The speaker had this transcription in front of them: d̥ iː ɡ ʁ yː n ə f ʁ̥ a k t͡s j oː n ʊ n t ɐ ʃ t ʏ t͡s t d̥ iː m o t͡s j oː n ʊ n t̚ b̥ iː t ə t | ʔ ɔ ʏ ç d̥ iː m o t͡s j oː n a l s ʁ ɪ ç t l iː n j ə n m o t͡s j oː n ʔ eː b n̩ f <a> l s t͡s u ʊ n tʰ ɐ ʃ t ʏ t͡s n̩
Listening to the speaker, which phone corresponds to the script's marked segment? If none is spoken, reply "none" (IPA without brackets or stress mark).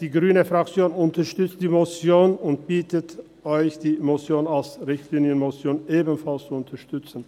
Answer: a